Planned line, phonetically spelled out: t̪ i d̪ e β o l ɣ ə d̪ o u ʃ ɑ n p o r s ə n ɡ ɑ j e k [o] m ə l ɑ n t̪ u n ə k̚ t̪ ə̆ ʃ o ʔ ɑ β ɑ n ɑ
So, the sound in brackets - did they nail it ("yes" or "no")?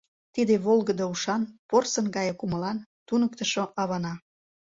no